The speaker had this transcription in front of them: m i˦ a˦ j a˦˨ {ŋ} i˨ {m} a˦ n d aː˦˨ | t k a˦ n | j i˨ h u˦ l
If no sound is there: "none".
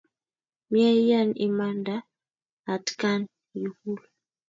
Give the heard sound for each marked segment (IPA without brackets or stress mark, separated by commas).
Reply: n, m